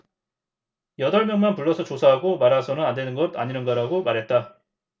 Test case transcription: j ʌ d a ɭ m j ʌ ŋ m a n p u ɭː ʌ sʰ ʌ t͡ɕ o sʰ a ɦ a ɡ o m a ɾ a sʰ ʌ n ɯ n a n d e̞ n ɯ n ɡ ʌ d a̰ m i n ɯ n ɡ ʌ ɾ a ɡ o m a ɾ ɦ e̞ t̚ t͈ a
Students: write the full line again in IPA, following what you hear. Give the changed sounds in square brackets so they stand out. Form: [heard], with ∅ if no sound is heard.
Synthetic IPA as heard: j ʌ d [ʌ] ɭ m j ʌ ŋ m a n p u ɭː ʌ sʰ ʌ t͡ɕ o sʰ a ɦ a ɡ o m a ɾ a sʰ ʌ n ɯ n a n d e̞ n ɯ n ɡ ʌ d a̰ [ɲ] i n ɯ n ɡ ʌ ɾ a ɡ o m a ɾ ɦ e̞ t̚ t͈ a